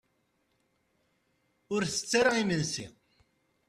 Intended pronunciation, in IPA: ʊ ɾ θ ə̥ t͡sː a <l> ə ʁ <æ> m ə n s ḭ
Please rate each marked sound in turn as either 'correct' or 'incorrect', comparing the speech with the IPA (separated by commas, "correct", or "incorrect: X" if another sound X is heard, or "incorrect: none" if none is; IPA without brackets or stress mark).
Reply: incorrect: ɾ, incorrect: i